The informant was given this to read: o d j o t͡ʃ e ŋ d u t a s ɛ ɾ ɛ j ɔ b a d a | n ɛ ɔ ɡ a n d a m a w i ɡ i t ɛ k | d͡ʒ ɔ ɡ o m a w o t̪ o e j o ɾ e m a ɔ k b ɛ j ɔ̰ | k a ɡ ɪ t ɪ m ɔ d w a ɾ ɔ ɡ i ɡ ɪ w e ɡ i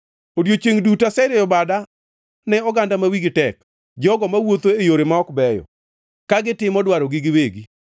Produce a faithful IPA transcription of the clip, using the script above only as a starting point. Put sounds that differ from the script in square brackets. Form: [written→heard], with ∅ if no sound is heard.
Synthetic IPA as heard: o d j o t͡ʃ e ŋ d u t a s ɛ ɾ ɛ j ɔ b a d a | n ɛ ɔ ɡ a n d a m a w i ɡ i t ɛ k | d͡ʒ ɔ ɡ [o→ɔ] m a w o t̪ o e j o ɾ e m a ɔ k b ɛ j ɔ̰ | k a ɡ ɪ t ɪ m ɔ d w a ɾ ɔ ɡ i ɡ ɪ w e ɡ i